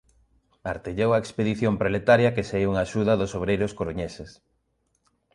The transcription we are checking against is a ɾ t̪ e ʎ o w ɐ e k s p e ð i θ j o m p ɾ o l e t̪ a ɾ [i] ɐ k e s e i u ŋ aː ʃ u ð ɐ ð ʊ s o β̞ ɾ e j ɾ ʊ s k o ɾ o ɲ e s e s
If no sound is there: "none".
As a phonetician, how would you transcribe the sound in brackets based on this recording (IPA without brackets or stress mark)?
j